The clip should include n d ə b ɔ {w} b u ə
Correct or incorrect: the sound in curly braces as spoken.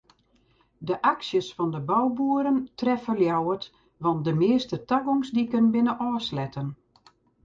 correct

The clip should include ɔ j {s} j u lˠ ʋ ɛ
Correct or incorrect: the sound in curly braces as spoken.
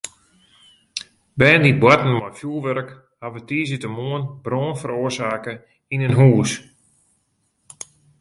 incorrect: f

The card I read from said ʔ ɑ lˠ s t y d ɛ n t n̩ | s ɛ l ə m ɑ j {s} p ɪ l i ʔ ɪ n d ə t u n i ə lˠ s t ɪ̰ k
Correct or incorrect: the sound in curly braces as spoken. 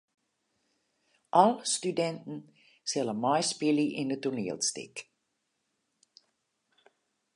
correct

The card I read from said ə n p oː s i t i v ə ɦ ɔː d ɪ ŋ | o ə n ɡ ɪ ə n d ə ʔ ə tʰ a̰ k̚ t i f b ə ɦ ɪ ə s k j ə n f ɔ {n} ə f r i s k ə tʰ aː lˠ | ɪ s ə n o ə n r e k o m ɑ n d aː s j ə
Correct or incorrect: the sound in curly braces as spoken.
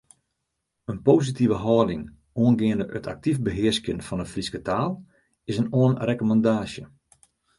correct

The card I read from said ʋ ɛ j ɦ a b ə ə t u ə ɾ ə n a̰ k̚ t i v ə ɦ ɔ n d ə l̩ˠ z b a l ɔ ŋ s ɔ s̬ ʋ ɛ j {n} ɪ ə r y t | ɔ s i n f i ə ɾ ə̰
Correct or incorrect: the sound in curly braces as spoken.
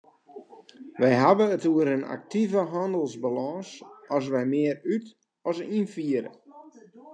incorrect: m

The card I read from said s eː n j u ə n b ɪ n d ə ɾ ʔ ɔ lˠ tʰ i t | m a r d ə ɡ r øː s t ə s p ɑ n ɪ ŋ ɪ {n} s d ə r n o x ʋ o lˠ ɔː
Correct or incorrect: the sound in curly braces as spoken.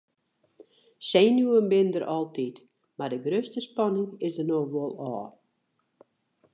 incorrect: none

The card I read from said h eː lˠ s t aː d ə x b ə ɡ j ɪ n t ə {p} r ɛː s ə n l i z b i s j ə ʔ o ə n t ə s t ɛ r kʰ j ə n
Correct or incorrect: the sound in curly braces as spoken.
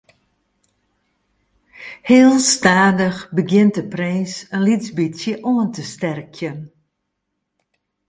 correct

